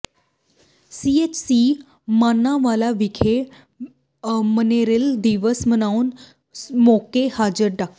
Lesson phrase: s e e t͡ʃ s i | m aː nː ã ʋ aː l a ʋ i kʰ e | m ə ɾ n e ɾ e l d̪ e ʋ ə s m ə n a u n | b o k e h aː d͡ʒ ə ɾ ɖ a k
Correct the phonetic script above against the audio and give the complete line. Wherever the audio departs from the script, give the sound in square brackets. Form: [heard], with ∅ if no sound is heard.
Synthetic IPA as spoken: s [i] e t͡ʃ s i | m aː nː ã ʋ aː l a ʋ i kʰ e | m ə [∅] n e ɾ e l d̪ [i] ʋ ə s m ə n a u n | [m] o k e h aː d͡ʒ ə ɾ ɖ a k